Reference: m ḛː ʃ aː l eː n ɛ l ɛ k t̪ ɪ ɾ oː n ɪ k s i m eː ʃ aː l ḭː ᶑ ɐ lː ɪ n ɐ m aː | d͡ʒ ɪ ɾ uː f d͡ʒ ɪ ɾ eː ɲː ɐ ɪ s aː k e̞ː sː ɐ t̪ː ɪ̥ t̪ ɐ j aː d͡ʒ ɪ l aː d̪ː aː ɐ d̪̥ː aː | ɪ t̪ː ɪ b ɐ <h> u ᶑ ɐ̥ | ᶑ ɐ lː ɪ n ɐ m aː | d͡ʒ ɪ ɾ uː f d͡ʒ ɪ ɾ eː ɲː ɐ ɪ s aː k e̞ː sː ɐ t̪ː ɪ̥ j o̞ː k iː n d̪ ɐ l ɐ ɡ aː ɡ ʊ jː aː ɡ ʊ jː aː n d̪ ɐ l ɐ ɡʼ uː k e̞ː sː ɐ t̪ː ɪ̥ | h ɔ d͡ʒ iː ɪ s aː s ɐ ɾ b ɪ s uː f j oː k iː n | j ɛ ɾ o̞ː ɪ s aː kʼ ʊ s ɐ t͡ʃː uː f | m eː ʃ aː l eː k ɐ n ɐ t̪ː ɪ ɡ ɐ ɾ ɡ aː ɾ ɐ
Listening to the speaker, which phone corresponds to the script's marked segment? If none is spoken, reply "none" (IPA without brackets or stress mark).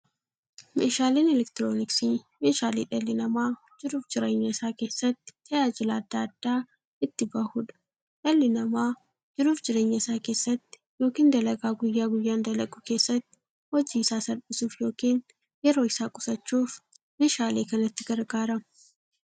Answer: h